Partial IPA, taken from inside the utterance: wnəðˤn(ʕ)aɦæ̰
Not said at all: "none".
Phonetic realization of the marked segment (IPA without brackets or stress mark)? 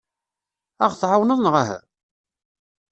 ʁ